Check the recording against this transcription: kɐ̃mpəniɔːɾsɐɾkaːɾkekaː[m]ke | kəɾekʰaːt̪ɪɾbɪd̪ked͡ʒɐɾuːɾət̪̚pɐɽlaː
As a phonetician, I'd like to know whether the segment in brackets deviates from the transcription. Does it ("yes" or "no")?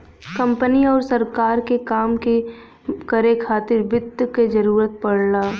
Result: no